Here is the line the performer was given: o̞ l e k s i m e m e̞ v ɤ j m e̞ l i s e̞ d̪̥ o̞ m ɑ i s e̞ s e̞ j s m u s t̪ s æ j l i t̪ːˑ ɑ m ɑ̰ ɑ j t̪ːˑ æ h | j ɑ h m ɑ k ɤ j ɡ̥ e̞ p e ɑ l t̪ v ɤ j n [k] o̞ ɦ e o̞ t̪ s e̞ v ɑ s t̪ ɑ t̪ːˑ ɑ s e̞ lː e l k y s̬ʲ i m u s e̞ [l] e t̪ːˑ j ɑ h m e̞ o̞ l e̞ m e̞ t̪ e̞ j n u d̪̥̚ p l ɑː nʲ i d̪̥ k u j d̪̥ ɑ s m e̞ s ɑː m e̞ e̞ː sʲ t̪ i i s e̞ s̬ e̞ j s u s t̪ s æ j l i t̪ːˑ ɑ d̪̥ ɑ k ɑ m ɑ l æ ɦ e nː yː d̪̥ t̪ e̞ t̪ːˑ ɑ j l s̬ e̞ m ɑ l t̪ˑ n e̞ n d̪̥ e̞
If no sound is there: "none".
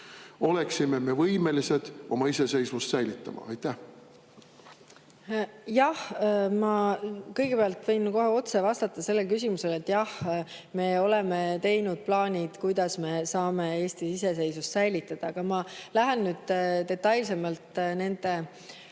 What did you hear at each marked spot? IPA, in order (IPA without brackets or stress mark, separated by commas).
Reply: k, l